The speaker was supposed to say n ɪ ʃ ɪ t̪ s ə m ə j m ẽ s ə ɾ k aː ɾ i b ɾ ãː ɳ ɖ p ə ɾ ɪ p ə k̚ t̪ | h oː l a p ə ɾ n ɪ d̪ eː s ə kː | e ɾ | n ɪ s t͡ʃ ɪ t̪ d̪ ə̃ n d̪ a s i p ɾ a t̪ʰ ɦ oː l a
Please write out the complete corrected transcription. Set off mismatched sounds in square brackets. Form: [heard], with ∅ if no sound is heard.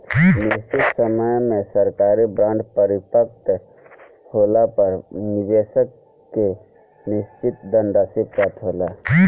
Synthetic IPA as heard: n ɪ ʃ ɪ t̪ s ə m ə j m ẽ s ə ɾ k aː ɾ i b ɾ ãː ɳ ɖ p ə ɾ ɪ p ə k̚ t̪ | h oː l a p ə ɾ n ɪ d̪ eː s ə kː | e [∅] | n ɪ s t͡ʃ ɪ t̪ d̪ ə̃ n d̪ a s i p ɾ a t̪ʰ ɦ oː l a